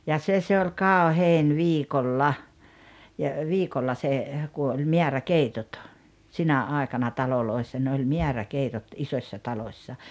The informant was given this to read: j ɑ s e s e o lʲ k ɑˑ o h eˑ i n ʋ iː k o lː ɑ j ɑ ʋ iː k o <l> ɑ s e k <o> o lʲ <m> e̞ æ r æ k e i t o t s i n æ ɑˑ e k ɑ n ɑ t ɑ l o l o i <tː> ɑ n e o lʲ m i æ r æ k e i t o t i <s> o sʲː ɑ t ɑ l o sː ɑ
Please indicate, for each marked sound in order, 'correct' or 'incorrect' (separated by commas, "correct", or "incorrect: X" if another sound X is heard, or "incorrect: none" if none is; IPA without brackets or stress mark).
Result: incorrect: lː, incorrect: u, correct, incorrect: sː, correct